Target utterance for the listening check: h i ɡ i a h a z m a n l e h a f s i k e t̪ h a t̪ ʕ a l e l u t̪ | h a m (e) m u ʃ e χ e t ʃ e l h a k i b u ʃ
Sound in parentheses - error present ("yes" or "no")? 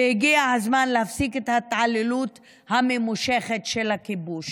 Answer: no